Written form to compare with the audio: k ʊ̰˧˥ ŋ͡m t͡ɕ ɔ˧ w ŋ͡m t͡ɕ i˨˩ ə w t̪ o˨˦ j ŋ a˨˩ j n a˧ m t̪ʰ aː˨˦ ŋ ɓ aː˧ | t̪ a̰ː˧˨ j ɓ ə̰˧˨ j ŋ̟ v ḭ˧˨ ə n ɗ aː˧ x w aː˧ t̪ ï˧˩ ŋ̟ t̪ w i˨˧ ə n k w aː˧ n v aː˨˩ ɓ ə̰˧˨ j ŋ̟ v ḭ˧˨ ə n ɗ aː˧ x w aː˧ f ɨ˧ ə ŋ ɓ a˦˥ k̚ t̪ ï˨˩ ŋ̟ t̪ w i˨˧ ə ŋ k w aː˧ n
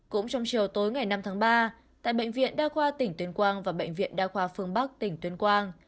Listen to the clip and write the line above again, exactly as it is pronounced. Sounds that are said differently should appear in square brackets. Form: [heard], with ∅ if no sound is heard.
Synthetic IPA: k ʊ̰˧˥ ŋ͡m t͡ɕ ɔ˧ w ŋ͡m t͡ɕ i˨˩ ə w t̪ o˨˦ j ŋ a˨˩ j n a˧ m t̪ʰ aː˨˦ ŋ ɓ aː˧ | t̪ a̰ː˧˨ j ɓ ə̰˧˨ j ŋ̟ v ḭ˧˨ ə n ɗ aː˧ x w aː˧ t̪ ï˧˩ ŋ̟ t̪ w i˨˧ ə n k w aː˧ n v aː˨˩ ɓ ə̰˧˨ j ŋ̟ v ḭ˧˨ ə n ɗ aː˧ x w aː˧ f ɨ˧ ə ŋ ɓ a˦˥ k̚ t̪ ï˨˩ ŋ̟ t̪ w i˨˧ ə [n] k w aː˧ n